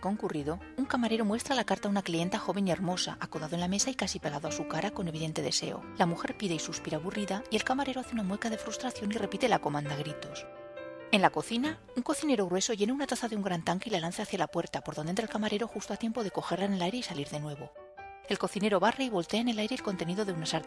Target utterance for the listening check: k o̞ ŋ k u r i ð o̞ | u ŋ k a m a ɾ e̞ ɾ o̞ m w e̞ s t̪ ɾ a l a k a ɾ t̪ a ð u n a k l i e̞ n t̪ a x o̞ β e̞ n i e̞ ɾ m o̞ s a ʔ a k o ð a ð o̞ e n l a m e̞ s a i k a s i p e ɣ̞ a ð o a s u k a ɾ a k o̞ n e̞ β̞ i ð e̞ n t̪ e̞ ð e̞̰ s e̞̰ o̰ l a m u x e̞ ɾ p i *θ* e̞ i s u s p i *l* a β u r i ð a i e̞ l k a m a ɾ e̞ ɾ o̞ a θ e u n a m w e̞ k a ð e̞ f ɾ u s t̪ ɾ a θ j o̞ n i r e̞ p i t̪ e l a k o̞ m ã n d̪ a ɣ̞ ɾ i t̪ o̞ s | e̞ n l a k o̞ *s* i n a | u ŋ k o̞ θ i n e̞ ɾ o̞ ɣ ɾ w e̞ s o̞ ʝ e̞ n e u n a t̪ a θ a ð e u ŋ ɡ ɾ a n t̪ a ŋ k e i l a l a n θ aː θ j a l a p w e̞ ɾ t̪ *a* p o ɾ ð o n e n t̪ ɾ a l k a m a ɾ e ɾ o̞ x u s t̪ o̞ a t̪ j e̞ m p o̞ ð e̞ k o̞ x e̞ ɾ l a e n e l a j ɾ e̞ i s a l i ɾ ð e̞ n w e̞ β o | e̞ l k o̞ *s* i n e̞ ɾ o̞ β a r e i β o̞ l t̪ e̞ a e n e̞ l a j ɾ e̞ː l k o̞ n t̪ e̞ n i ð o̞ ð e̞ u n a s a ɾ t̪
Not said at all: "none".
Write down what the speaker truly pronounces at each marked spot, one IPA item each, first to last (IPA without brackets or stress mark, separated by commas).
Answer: ð, ɾ, θ, a, θ